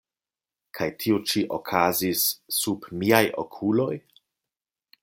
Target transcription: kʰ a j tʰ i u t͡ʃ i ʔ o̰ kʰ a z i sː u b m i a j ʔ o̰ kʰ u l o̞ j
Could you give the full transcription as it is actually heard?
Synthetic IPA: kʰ a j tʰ i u t͡ʃ i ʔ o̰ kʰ a z i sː u b m i a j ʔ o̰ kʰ u l o̞ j